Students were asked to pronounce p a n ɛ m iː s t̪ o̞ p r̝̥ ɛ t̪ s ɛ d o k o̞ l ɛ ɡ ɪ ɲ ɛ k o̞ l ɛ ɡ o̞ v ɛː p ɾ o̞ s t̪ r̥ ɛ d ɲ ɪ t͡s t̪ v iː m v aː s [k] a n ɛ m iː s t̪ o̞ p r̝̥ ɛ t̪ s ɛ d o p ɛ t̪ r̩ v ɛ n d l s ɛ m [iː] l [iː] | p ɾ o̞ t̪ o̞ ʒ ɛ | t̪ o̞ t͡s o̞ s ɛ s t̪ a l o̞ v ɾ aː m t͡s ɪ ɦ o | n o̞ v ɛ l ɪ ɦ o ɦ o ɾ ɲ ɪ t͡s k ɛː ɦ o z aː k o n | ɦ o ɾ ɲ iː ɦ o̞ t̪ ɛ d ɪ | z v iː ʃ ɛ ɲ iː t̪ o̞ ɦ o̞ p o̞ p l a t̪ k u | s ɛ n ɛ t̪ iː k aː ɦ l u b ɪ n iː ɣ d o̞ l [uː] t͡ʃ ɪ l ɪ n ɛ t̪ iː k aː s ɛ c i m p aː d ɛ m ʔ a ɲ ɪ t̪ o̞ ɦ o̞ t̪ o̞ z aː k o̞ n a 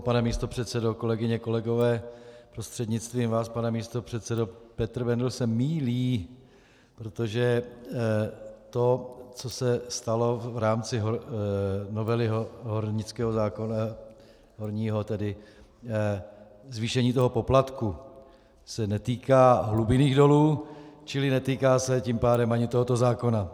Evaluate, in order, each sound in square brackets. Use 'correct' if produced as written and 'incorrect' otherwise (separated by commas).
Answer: incorrect, correct, correct, correct